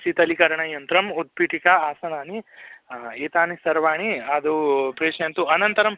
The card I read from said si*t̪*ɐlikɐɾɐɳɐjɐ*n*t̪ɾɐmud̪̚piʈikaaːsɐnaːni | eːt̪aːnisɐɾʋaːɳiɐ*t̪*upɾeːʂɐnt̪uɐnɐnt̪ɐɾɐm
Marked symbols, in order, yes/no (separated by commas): yes, yes, no